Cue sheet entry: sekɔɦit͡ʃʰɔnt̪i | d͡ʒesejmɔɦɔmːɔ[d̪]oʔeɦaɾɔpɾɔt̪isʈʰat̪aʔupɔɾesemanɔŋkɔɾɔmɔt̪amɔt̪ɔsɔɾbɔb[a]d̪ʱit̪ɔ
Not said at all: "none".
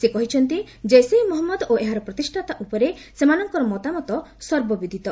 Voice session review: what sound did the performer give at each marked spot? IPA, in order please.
d̪, i

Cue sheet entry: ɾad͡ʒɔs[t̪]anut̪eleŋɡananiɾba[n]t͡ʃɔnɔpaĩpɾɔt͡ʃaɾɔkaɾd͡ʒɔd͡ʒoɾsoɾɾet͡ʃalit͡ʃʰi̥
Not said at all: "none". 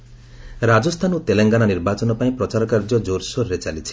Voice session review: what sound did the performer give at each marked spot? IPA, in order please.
t̪ʰ, none

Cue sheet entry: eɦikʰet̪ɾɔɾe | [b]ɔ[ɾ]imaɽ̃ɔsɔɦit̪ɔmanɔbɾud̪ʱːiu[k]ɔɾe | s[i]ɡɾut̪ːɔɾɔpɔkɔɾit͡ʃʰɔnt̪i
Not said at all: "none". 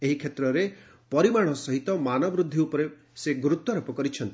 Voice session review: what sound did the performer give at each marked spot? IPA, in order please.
p, ɾ, p, e

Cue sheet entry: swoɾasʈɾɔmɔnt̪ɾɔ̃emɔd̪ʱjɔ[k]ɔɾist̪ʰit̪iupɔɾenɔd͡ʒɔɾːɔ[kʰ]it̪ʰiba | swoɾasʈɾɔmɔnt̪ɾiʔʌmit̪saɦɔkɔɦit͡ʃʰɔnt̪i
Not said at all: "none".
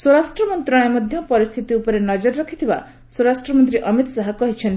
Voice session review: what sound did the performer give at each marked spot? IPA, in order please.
p, kʰ

